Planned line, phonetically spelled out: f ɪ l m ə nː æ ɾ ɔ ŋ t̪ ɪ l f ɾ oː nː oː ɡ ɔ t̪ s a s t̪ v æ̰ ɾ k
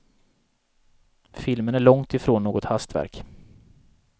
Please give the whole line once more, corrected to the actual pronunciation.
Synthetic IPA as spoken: f ɪ l m ə n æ ɭ ɔ ŋ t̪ ɪ f ɾ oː nː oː ɡ ɔ t̪ h a s t̪ v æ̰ ɾ k